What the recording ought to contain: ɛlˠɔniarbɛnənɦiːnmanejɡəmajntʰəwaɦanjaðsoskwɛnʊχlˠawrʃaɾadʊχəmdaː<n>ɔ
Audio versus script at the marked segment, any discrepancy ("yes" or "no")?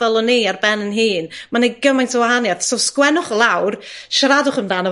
no